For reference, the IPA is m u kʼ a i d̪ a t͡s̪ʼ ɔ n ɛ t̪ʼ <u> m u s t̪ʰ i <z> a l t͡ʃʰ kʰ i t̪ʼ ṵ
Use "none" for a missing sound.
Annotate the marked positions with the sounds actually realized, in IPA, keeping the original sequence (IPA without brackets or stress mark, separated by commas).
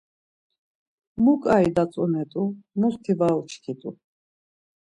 u, v